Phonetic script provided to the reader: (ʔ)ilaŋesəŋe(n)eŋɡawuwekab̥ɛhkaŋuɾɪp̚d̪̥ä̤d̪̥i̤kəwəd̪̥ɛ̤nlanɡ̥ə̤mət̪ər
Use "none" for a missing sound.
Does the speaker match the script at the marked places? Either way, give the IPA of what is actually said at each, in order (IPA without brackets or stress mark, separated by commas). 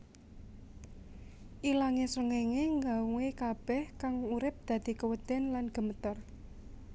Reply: ʔ, ŋ